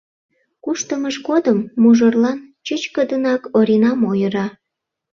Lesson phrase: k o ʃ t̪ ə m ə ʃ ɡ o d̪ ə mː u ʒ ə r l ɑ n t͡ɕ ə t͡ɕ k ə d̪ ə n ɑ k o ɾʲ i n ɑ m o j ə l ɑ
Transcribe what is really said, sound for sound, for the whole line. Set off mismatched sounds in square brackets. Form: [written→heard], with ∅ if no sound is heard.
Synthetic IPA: k [o→u] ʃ t̪ ə m ə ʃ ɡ o d̪ ə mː u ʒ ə r l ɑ n t͡ɕ ə t͡ɕ k ə d̪ ə n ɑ k o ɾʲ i n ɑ m o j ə [l→ɾ] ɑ